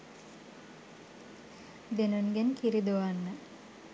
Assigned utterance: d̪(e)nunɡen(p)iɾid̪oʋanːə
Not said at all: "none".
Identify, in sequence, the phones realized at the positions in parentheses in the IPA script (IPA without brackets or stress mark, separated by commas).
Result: e, k